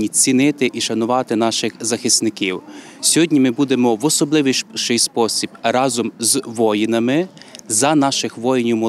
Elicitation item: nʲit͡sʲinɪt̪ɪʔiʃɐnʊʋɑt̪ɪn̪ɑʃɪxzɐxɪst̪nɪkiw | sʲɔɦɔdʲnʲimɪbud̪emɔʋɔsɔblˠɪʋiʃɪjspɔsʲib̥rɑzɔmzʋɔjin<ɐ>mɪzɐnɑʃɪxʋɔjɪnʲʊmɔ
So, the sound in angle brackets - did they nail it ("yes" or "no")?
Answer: yes